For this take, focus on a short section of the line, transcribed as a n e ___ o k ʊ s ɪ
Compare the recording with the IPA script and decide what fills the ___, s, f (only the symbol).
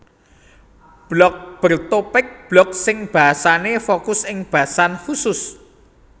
f